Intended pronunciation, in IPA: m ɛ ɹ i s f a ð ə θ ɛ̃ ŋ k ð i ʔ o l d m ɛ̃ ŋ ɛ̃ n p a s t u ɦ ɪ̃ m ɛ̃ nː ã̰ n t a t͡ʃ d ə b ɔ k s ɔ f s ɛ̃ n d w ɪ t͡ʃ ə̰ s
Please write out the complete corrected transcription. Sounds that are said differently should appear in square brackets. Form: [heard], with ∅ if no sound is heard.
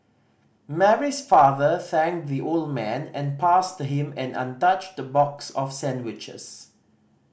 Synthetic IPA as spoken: m ɛ ɹ i s f a ð ə θ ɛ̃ ŋ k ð i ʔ o l d m ɛ̃ [n] ɛ̃ n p a s t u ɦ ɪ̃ m ɛ̃ [n] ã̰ n t a t͡ʃ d ə b ɔ k s ɔ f s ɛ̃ n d w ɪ t͡ʃ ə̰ s